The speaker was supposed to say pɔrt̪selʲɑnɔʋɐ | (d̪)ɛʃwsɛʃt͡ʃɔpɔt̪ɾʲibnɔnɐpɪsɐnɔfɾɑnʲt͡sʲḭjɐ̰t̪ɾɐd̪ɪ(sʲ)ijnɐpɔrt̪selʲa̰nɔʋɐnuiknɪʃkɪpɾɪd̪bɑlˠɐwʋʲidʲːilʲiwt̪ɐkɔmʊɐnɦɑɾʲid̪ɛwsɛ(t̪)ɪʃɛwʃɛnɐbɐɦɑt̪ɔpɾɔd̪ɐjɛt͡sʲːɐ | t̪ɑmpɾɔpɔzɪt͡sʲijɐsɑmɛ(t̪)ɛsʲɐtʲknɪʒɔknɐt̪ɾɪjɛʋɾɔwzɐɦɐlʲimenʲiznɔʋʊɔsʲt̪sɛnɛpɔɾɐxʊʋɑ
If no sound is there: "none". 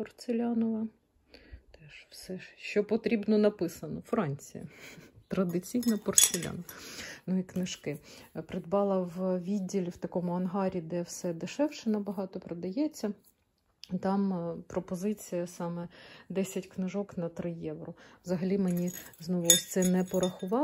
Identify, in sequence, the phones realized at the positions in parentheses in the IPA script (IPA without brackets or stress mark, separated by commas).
t̪, t͡sʲ, d̪, d̪